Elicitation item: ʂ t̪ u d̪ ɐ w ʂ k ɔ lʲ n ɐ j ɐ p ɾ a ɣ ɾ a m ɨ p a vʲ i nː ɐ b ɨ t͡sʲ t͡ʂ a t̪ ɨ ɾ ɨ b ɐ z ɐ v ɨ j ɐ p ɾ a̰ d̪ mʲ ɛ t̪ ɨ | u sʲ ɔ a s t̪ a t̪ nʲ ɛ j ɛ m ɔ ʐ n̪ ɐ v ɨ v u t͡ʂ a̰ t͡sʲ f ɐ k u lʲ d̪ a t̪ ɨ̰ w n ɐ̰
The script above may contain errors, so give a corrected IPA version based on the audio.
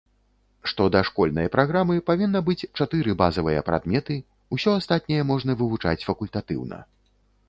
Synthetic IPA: ʂ t̪ ɔ d̪ ɐ ʂ k ɔ lʲ n ɐ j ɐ p ɾ a ɣ ɾ a m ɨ p a vʲ i nː ɐ b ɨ t͡sʲ t͡ʂ a t̪ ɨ ɾ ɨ b a z ɐ v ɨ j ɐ p ɾ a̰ d̪ mʲ ɛ t̪ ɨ | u sʲ ɔ a s t̪ a t̪ nʲ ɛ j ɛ m ɔ ʐ n̪ ɐ v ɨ v u t͡ʂ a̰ t͡sʲ f ɐ k u lʲ t̪ a t̪ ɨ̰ w n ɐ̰